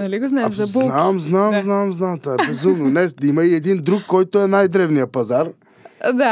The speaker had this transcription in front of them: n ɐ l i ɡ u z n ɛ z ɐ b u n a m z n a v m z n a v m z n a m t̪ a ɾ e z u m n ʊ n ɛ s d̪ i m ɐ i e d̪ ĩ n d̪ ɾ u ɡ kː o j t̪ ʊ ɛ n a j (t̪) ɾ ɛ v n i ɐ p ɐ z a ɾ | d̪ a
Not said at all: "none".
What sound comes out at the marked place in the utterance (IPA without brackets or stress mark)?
d̪